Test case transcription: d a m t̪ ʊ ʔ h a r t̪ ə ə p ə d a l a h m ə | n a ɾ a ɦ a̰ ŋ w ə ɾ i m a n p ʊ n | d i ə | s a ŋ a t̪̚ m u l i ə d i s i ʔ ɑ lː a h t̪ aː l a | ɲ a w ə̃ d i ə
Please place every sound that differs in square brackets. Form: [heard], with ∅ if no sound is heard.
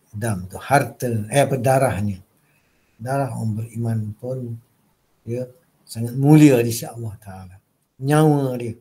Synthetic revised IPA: d a m t̪ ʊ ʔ h a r t̪ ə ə p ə d a [ɾ] a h [ɲ] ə | [d] a ɾ a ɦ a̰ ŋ [b] ə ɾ i m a n p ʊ n | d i ə | s a ŋ a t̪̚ m u l i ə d i s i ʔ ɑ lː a h t̪ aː l a | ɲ a w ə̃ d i ə